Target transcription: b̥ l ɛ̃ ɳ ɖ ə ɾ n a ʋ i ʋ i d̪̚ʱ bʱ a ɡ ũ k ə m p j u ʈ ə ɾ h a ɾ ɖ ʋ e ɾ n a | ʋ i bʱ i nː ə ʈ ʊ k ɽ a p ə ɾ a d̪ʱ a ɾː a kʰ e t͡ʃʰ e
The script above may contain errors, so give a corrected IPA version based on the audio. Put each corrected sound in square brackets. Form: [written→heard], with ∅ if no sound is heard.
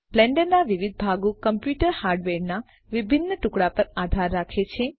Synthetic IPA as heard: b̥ l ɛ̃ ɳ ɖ ə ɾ n a ʋ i ʋ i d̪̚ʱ bʱ a ɡ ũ k ə m p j u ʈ ə ɾ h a ɾ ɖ ʋ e ɾ n a | ʋ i bʱ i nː ə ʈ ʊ k ɽ a p ə ɾ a d̪ʱ a ɾː a kʰ e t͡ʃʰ e